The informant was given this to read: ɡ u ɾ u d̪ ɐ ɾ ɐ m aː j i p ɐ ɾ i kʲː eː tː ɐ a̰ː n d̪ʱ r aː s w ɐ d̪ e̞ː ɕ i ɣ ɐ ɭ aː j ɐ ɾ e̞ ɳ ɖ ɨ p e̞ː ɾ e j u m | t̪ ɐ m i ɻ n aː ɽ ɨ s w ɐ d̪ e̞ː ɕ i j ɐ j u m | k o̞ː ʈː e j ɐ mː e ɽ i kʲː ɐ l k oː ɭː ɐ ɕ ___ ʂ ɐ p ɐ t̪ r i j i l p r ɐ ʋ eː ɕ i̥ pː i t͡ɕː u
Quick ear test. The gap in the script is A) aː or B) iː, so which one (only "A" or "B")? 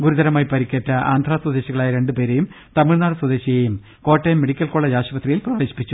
A